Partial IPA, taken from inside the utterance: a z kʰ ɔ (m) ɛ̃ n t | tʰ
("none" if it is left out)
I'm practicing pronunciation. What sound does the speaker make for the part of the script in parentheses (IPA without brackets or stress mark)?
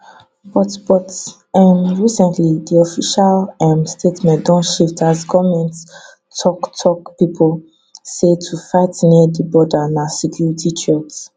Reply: m